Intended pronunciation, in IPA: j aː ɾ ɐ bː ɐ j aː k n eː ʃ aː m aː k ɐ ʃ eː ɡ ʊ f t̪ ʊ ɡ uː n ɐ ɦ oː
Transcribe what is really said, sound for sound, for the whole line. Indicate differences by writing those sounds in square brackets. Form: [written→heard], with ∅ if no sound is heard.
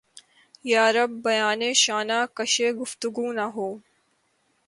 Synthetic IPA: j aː ɾ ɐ bː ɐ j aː [k→∅] n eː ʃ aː [m→n] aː k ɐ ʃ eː ɡ ʊ f t̪ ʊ ɡ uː n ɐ ɦ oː